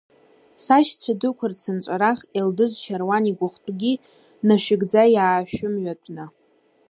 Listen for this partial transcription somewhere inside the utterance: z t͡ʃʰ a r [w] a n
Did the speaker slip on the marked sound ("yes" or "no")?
no